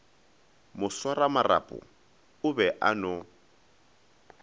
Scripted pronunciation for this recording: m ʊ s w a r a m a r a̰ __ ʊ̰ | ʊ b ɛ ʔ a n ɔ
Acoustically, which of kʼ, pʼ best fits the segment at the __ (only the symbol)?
pʼ